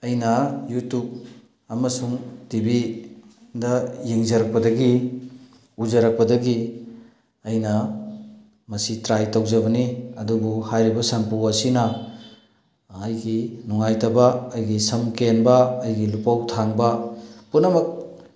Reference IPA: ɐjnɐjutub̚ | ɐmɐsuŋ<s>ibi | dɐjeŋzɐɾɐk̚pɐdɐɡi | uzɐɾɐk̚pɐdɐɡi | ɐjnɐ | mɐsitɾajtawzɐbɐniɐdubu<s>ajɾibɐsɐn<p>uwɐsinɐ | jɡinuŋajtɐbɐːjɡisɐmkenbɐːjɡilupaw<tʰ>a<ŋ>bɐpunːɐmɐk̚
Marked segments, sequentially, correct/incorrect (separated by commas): incorrect, incorrect, correct, correct, correct